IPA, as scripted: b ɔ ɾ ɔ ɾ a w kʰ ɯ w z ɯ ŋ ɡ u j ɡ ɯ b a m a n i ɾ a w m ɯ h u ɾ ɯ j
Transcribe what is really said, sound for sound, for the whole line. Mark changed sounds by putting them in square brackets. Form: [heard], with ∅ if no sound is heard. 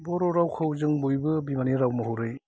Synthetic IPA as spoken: b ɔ ɾ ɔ ɾ a w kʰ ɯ w z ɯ ŋ [b] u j [b] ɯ b [i] m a n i ɾ a w m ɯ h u ɾ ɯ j